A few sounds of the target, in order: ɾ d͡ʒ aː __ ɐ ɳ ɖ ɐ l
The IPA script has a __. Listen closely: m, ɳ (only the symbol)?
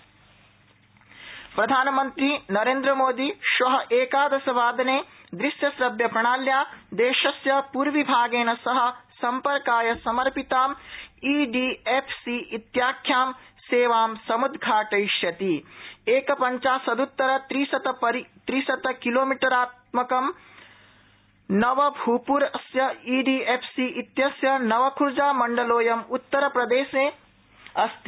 m